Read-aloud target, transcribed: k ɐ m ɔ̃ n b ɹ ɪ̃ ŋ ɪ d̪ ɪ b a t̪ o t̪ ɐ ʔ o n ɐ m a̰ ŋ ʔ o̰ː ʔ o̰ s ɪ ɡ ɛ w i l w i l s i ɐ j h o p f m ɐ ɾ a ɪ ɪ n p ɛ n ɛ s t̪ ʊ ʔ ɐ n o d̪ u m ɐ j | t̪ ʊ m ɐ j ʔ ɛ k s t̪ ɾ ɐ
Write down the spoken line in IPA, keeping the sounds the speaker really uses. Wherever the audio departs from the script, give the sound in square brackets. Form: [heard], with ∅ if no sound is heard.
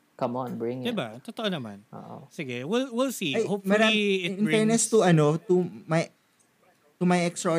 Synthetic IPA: k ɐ m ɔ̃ n b ɹ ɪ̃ ŋ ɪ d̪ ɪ b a t̪ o t̪ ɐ ʔ o n ɐ m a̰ [n] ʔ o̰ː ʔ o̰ s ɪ ɡ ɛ w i l w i l s i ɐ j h o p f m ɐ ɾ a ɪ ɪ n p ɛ n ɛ s t̪ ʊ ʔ ɐ n o [t̪] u m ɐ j | t̪ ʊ m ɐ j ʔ ɛ k s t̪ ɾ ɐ